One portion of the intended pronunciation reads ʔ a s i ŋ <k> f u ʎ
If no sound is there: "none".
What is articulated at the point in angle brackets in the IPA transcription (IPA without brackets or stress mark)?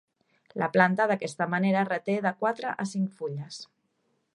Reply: k